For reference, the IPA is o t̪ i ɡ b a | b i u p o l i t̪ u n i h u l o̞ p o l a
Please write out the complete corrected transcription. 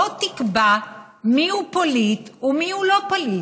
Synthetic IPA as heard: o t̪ i k b a | m i u p o l i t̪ u m i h u l o̞ p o l i